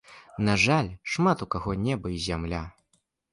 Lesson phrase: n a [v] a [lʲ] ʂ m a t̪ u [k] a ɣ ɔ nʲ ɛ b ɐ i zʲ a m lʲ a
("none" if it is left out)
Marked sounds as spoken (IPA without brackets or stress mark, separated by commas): ʐ, lʲ, k